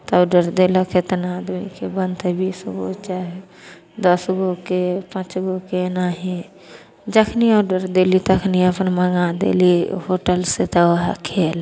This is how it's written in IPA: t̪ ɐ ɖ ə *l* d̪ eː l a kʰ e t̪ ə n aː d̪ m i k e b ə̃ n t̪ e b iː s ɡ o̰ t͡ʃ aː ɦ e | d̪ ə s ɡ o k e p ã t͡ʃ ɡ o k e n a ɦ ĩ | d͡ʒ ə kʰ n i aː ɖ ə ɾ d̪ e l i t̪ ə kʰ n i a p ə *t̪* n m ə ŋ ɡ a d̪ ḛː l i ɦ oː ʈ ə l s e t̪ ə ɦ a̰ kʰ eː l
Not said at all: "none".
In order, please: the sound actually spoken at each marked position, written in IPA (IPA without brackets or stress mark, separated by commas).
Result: ɾ, none